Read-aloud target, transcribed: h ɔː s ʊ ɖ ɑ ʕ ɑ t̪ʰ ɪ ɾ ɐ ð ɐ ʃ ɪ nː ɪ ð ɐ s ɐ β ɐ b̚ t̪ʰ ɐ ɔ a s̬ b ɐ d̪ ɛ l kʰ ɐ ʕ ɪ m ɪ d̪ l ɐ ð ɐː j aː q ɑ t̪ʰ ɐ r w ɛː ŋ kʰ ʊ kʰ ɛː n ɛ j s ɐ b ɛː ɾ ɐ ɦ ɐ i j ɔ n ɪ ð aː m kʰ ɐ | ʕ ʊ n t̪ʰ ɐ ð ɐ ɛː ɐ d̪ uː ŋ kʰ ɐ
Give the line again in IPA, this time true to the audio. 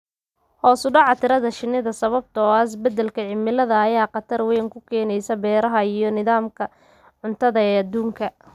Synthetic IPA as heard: h ɔː s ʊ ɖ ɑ ʕ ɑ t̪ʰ ɪ ɾ ɐ ð ɐ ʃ ɪ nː ɪ ð ɐ s ɐ β ɐ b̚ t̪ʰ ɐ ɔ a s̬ b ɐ d̪ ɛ l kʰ ɐ ʕ ɪ m ɪ l ɐ ð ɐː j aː q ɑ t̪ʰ ɐ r w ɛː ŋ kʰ ʊ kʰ ɛː n ɛ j s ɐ b ɛː ɾ ɐ ɦ ɐ i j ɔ n ɪ ð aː m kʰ ɐ | ʕ ʊ n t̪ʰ ɐ ð ɐ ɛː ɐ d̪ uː ŋ kʰ ɐ

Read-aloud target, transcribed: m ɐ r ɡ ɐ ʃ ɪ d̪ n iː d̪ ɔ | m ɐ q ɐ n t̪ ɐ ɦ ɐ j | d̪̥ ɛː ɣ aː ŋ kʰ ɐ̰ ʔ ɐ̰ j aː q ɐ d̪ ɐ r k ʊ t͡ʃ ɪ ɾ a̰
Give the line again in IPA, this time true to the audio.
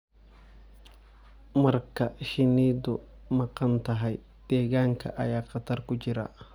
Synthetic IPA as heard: m ɐ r k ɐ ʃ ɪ n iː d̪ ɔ | m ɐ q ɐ n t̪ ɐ ɦ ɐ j | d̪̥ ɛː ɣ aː ŋ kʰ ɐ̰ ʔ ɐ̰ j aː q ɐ t̪ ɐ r k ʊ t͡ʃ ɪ ɾ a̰

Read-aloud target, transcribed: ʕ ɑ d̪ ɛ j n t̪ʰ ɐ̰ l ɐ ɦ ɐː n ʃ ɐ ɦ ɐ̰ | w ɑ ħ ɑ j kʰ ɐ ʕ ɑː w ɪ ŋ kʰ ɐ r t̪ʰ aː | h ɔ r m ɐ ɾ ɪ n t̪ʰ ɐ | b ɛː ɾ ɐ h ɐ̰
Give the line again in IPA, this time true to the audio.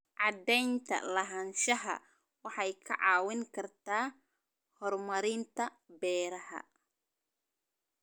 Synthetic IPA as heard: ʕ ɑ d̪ ɛ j n t̪ʰ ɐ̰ l ɐ ɦ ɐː n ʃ ɐ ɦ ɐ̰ | w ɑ ħ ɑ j kʰ ɐ ʕ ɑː w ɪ ŋ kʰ ɐ r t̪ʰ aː | h ɔ r m ɐ ɾ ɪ n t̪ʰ ɐ | b ɛː ɾ ɐ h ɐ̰

